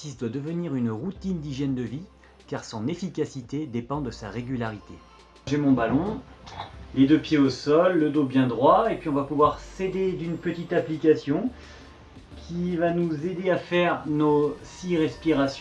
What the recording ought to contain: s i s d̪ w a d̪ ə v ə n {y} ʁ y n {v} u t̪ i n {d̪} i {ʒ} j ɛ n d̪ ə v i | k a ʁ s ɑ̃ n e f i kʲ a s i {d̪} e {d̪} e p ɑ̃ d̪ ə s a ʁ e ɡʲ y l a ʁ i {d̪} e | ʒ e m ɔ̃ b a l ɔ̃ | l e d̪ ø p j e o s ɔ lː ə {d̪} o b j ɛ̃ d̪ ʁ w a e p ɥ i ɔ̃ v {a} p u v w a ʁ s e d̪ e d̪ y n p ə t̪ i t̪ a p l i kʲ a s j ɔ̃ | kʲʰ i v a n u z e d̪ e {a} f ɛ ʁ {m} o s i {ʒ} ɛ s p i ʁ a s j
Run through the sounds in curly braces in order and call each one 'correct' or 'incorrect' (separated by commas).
incorrect, incorrect, correct, correct, incorrect, correct, incorrect, correct, correct, correct, incorrect, incorrect